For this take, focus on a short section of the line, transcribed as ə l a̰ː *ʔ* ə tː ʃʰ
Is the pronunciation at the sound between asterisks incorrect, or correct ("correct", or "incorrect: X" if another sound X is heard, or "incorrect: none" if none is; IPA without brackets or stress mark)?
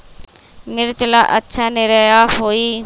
correct